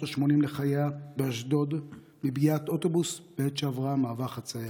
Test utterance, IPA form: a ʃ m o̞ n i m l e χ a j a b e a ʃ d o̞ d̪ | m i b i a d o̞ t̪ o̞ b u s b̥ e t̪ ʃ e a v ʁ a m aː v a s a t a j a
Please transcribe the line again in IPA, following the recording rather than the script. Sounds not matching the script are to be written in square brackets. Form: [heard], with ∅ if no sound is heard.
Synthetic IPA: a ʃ m o̞ n i m l e χ a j a b e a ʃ d o̞ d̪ | m i b i a [t] o̞ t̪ o̞ b u s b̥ e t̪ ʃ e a v ʁ a m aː v a [χ] a [t͡s] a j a